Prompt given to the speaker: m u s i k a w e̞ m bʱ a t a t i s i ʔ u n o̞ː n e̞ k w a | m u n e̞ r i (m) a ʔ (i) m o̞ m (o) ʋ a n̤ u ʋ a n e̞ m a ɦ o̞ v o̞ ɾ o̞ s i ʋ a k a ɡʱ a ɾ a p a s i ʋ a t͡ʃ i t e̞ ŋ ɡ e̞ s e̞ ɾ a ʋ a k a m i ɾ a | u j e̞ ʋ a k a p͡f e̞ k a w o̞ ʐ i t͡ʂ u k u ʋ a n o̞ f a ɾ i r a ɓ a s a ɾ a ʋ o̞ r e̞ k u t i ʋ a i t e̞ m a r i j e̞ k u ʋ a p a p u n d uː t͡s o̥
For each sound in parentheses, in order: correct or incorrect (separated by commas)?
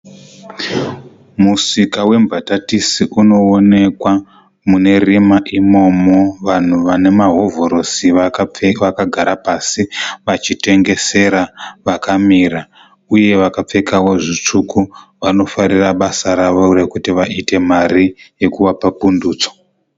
correct, correct, correct